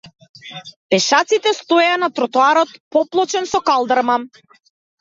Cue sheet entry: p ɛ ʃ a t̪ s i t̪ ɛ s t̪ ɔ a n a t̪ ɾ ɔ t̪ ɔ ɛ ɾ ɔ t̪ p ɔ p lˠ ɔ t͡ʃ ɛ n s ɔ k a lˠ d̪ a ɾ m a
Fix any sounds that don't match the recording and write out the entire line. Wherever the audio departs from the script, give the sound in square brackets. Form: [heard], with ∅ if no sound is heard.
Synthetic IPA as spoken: p ɛ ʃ a t̪ s i t̪ ɛ s t̪ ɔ a n a t̪ ɾ ɔ t̪ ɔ [a] ɾ ɔ t̪ p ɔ p lˠ ɔ t͡ʃ ɛ n s ɔ k a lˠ d̪ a ɾ m a